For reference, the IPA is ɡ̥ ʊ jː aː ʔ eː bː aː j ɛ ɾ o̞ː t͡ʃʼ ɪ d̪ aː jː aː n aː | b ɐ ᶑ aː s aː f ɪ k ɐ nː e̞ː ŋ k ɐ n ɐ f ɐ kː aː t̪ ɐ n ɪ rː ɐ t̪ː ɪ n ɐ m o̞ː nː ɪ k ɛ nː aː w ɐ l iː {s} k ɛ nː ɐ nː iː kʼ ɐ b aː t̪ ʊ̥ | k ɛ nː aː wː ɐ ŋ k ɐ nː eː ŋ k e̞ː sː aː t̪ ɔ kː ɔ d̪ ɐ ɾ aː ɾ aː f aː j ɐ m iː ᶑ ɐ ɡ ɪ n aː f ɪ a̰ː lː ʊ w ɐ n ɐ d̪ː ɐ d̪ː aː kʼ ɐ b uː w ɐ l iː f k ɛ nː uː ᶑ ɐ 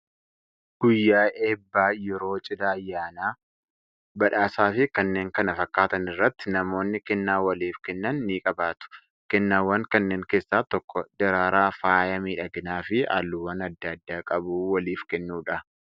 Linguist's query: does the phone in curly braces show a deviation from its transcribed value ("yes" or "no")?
yes